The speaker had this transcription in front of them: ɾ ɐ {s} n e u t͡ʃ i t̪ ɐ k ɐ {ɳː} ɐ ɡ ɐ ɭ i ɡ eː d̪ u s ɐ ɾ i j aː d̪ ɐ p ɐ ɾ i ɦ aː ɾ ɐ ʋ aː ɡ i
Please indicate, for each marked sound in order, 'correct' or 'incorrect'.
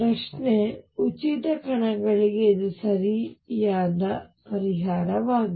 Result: incorrect: ʂ, incorrect: ɳ

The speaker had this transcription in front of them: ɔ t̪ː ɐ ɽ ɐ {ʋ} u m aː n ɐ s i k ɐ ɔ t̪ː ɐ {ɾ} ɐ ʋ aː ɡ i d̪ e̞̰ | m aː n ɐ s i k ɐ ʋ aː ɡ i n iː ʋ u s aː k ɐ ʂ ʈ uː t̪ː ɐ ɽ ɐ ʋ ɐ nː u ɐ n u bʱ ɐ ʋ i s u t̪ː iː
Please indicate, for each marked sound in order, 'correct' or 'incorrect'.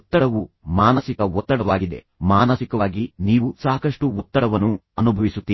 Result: correct, incorrect: ɽ

